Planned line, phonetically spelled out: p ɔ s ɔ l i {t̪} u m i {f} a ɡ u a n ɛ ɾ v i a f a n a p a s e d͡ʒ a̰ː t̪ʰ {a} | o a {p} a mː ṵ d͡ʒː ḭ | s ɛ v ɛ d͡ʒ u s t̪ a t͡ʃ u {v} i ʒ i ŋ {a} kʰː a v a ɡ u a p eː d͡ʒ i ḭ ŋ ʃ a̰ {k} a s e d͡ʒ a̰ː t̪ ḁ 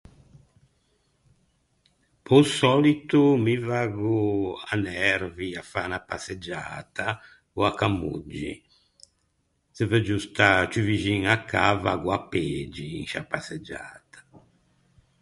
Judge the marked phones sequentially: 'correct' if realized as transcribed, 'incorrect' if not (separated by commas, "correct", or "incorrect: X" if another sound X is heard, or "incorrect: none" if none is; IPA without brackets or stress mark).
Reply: correct, incorrect: v, correct, incorrect: k, correct, correct, incorrect: p